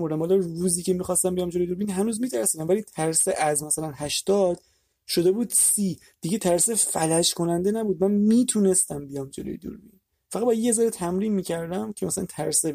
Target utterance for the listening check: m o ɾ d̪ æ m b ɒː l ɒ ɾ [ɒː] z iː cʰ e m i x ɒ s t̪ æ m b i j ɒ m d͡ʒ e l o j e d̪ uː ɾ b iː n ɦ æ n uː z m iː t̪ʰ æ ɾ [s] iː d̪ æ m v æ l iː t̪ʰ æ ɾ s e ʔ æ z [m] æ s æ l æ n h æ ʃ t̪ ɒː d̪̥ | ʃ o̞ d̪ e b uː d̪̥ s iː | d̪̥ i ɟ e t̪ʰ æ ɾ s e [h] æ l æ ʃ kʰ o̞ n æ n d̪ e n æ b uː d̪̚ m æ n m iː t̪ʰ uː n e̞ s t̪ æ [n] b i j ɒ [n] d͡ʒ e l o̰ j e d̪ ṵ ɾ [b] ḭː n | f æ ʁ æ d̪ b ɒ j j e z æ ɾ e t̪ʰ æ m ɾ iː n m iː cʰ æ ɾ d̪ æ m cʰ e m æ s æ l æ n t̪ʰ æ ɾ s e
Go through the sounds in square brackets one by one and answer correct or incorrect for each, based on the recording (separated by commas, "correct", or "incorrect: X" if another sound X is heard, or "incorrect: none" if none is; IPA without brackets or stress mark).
incorrect: uː, correct, correct, incorrect: f, incorrect: m, incorrect: m, correct